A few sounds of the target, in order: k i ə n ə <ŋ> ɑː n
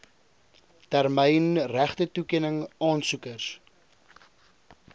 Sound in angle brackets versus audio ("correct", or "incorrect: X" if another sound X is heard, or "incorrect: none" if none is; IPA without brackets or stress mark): correct